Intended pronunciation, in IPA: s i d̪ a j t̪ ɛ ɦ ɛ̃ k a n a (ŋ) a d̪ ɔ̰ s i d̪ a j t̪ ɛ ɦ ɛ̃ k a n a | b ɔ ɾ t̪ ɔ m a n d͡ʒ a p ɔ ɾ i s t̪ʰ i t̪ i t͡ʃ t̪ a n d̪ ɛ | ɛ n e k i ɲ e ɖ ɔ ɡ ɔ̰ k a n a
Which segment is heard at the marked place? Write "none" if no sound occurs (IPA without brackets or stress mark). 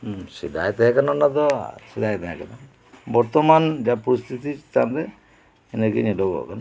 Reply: n